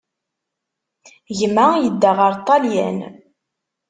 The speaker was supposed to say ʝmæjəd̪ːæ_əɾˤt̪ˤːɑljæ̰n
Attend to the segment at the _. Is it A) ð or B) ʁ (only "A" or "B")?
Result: B